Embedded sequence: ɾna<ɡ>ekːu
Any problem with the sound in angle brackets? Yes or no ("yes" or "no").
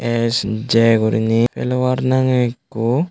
yes